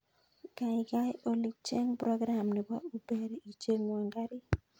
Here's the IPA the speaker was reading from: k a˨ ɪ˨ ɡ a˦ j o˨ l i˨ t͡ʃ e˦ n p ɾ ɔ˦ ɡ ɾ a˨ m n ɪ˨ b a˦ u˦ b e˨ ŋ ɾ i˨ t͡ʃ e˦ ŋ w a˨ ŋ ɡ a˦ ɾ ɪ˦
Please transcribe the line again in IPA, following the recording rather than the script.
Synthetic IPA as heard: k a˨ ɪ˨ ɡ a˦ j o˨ l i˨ t͡ʃ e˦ ŋ p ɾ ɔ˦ ɡ ɾ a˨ m n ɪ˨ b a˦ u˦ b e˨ ɾ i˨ t͡ʃ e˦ ŋ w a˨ ŋ ɡ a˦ ɾ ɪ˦